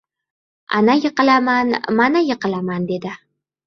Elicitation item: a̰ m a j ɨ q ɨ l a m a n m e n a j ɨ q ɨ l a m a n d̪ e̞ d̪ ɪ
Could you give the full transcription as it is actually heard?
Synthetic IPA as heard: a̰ n a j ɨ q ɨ l a m a n m a n a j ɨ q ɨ l a m a n d̪ e̞ d̪ ɪ